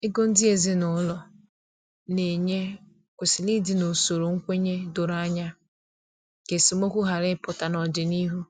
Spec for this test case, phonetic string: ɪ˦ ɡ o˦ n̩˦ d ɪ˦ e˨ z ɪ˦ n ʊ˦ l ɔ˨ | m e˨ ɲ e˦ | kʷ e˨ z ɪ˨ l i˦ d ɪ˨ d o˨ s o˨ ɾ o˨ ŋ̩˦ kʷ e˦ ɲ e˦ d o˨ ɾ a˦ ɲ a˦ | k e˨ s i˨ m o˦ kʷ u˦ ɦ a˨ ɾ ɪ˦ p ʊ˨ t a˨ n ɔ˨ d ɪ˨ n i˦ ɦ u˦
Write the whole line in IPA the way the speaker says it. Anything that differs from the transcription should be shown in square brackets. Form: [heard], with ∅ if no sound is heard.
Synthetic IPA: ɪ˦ ɡ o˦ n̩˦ d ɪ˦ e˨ z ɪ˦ n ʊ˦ l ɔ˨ | [n] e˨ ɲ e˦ | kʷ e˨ [s] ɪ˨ l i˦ d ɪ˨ [n] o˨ s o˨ ɾ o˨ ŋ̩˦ kʷ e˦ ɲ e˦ d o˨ ɾ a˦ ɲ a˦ | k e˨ s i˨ m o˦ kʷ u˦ ɦ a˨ ɾ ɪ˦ p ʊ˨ t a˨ n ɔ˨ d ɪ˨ n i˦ ɦ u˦